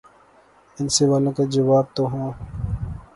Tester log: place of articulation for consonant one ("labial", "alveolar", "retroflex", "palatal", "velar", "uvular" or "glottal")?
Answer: alveolar